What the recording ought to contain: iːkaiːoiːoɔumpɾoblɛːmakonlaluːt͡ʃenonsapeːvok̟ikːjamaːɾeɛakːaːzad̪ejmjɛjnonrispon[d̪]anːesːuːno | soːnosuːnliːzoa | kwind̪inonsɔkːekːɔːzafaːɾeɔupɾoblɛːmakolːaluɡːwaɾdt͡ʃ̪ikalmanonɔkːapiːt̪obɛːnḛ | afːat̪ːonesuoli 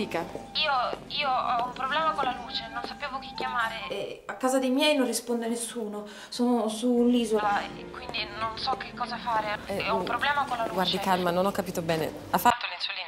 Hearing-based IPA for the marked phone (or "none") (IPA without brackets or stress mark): d̪